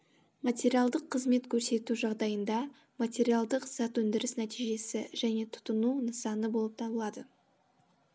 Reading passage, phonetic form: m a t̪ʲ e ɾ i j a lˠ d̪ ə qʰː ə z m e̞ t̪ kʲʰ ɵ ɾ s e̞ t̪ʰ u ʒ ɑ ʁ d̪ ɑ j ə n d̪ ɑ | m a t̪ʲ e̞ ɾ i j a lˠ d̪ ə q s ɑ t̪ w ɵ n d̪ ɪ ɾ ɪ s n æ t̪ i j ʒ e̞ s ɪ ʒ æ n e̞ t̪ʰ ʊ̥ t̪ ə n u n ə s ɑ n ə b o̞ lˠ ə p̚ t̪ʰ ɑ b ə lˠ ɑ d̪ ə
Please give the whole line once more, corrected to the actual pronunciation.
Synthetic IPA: m a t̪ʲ e ɾ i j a lˠ d̪ ə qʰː ə z m e̞ t̪ kʲʰ ɵ ɾ s e̞ t̪ u ʒ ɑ ʁ d̪ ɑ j ə n d̪ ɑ | m a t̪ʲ e̞ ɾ i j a lˠ d̪ ə q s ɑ t̪ w ɵ n d̪ ɪ ɾ ɪ s n æ t̪ i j ʒ e̞ s ɪ ʒ æ n e̞ t̪ʰ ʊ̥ t̪ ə n u n ə s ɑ n ə b o̞ lˠ ə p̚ t̪ʰ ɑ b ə lˠ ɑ d̪ ə